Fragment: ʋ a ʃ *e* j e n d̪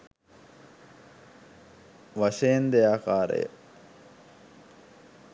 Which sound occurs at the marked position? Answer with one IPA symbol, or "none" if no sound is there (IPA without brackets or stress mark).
e